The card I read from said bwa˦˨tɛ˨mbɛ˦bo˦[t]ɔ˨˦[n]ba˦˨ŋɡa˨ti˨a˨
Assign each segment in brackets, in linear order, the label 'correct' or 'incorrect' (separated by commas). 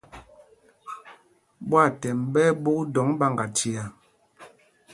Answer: incorrect, incorrect